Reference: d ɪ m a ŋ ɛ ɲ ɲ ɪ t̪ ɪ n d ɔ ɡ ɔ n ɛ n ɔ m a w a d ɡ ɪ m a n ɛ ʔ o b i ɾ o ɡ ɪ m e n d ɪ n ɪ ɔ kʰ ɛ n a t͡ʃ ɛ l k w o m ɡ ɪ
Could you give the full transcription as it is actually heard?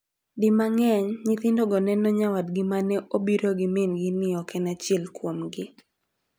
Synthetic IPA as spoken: d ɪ m a ŋ ɛ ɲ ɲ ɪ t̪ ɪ n d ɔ ɡ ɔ n ɛ n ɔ ɲ a w a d ɡ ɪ m a n ɛ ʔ o b i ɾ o ɡ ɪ m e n ɡ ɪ n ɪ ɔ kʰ ɛ n a t͡ʃ ɛ l k w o m ɡ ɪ